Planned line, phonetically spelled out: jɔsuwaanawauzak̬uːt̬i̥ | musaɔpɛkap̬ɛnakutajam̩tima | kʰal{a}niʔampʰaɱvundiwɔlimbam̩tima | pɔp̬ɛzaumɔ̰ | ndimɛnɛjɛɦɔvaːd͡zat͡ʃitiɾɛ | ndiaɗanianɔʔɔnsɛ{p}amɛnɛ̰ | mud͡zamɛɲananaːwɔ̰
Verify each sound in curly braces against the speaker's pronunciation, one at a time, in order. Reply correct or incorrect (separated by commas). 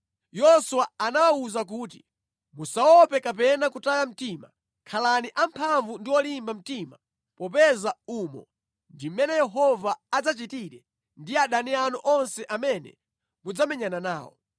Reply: correct, incorrect